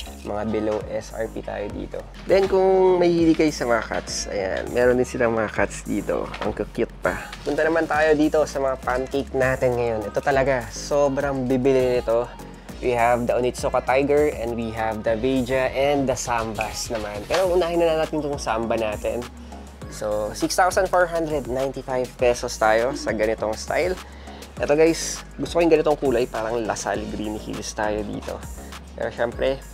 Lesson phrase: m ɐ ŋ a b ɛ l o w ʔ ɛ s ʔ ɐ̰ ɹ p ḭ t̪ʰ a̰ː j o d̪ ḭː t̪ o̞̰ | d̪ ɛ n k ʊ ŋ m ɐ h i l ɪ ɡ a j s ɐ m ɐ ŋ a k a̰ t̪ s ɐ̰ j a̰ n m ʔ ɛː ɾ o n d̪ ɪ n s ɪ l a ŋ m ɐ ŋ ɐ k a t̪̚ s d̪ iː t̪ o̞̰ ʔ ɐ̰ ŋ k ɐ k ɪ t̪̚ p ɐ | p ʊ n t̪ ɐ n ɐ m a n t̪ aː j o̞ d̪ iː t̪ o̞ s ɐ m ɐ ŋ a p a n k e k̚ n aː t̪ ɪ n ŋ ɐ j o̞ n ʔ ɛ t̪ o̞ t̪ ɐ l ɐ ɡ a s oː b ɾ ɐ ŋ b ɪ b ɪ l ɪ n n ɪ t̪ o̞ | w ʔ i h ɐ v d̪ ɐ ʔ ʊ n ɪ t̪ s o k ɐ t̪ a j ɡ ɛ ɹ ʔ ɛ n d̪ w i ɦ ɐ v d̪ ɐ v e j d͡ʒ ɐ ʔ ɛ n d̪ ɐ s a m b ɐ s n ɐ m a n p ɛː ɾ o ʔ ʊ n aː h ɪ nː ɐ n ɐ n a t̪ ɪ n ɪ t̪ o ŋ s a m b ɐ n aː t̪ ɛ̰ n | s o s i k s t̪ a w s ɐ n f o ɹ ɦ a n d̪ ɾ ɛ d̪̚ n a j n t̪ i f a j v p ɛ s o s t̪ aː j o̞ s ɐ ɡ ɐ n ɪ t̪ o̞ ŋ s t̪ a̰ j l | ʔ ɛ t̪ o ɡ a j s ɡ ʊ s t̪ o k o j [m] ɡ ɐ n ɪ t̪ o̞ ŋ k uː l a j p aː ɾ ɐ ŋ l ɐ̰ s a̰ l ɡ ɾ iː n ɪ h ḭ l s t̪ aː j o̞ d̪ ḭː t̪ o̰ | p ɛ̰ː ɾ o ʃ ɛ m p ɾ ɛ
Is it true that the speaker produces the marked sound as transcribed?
no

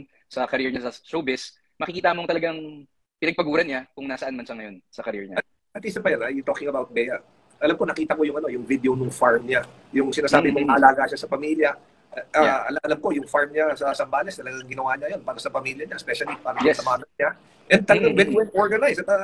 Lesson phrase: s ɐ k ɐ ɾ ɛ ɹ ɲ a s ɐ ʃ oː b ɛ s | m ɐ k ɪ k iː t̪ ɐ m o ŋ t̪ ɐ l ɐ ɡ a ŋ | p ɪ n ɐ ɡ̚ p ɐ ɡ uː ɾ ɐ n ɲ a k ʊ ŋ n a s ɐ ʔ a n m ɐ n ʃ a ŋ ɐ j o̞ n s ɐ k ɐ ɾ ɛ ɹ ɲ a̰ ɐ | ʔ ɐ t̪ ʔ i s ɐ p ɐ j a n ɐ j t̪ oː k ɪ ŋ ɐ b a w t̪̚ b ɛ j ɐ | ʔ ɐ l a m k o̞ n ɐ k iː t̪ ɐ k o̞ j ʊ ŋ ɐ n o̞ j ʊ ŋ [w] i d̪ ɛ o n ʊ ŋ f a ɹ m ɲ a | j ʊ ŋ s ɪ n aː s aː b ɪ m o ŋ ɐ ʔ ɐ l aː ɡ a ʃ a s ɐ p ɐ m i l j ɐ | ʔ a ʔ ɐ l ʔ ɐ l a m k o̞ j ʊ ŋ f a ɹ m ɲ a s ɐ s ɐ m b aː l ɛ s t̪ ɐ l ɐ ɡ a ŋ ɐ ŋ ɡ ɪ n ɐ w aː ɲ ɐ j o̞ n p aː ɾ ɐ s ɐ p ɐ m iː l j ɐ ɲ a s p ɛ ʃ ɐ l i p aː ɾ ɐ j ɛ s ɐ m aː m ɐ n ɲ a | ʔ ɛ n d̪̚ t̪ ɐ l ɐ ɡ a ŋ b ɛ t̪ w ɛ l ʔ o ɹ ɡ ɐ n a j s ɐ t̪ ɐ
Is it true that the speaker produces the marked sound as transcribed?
no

